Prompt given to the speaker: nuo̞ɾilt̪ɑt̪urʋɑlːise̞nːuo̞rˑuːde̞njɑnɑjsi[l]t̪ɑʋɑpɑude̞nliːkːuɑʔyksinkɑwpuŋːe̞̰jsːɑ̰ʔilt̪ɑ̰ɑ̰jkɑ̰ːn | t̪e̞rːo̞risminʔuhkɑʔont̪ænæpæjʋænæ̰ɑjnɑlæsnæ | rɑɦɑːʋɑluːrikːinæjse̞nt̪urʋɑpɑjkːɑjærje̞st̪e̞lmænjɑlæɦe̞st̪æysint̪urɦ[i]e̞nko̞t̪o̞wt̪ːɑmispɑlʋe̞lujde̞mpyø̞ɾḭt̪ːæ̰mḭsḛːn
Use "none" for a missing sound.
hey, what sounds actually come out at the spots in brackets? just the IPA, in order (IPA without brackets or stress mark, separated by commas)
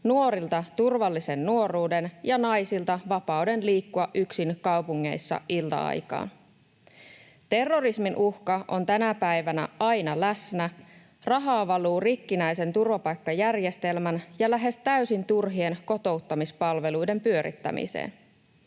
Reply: l, i